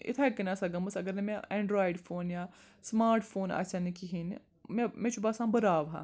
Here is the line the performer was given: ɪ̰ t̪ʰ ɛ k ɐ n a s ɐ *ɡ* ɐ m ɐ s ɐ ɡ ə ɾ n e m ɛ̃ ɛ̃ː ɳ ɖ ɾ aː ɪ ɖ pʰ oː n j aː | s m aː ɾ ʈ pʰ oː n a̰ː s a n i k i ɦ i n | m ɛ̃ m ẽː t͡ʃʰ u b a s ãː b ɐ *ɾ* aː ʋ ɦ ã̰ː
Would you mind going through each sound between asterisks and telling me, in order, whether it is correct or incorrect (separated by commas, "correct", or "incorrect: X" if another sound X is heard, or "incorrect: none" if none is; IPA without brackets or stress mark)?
correct, correct